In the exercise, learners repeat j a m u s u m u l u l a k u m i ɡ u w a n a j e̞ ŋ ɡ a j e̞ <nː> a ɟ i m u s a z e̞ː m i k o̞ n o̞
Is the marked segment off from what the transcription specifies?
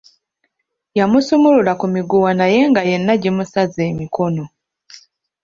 no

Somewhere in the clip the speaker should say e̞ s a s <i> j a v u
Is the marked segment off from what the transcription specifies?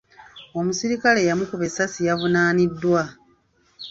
no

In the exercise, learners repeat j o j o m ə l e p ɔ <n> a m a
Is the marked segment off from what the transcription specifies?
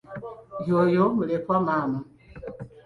yes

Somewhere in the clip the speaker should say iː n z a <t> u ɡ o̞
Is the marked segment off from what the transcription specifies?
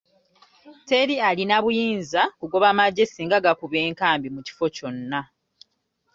yes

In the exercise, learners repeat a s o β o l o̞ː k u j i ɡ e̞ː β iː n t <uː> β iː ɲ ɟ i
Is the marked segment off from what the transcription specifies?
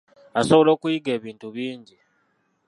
yes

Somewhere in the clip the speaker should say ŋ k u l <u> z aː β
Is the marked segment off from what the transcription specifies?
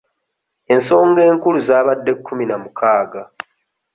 no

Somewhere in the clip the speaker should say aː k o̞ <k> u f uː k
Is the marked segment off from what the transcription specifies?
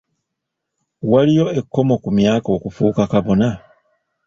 no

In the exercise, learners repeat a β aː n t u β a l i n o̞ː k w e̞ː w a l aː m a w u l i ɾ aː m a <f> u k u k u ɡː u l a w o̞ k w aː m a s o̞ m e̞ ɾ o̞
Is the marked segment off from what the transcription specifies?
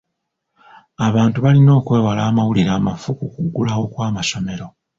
no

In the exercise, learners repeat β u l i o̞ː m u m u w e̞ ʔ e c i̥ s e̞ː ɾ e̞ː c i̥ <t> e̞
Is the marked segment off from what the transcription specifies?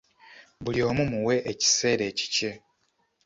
yes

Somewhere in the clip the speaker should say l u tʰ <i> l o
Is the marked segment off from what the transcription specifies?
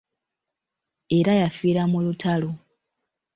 yes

